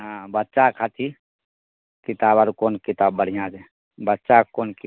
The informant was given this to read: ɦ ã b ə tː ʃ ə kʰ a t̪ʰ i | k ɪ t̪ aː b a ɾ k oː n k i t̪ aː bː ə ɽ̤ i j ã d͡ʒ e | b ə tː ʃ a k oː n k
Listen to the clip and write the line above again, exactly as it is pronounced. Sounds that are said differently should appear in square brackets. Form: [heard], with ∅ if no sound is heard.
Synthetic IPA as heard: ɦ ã b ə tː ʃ [a] kʰ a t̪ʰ i | k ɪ t̪ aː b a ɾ k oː n k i t̪ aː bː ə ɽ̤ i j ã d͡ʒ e | b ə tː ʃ a k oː n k